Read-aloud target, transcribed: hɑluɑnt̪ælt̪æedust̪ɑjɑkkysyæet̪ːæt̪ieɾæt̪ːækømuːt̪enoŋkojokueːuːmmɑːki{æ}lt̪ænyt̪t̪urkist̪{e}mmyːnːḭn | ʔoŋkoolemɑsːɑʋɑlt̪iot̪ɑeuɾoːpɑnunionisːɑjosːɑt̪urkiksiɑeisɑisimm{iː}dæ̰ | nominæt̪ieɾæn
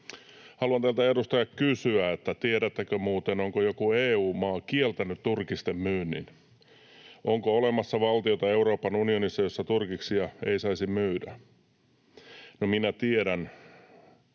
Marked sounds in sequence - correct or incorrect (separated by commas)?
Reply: incorrect, correct, incorrect